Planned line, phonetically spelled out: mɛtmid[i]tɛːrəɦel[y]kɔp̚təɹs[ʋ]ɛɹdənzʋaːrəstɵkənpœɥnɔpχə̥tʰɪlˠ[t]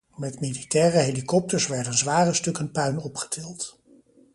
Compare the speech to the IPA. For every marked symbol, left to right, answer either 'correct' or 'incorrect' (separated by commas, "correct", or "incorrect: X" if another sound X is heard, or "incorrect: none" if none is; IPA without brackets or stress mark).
correct, incorrect: i, correct, correct